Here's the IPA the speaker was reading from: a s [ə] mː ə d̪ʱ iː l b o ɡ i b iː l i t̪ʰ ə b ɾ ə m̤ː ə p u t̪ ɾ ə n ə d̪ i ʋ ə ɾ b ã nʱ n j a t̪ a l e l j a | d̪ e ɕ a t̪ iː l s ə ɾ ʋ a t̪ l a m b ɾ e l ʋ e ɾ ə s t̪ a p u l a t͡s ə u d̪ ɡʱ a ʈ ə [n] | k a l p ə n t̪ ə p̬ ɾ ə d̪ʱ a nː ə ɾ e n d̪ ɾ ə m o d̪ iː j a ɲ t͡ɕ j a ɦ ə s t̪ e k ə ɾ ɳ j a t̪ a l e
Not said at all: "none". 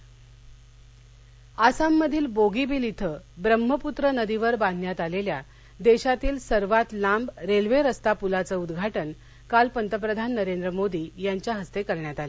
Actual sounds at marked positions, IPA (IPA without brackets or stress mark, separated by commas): a, n